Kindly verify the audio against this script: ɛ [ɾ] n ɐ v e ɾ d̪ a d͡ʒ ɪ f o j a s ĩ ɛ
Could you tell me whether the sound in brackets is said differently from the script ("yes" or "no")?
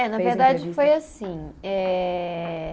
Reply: yes